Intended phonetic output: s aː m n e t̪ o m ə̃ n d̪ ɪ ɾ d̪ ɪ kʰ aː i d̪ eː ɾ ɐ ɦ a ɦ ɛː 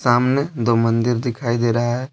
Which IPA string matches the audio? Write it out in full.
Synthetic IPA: s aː m n e d̪ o m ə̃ n d̪ ɪ ɾ d̪ ɪ kʰ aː i d̪ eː ɾ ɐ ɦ a ɦ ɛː